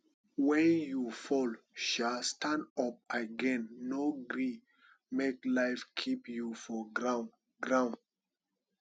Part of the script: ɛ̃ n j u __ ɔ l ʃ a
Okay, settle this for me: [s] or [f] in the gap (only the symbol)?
f